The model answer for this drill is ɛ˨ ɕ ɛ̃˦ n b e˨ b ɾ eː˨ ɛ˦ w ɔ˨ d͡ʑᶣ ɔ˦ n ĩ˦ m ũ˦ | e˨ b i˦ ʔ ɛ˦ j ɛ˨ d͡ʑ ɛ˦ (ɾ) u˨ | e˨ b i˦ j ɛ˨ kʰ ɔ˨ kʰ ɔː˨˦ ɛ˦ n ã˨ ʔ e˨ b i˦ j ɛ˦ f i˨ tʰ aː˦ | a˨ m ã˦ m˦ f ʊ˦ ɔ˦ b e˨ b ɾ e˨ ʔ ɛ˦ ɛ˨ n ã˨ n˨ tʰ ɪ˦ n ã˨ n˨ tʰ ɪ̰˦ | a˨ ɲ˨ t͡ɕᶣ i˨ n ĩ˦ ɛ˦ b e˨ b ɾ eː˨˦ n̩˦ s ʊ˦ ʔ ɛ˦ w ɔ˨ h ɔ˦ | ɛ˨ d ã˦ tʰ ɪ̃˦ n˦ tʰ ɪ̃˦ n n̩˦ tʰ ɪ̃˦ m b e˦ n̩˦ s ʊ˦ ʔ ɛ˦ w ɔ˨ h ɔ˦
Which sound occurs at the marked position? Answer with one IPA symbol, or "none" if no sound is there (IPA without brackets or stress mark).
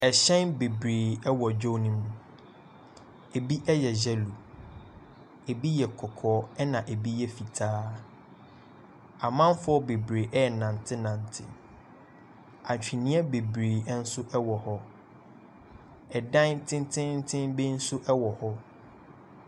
l